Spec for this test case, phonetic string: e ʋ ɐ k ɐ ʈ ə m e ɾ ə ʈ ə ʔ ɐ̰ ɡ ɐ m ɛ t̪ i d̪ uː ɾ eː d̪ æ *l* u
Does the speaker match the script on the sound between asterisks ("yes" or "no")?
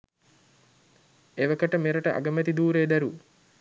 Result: no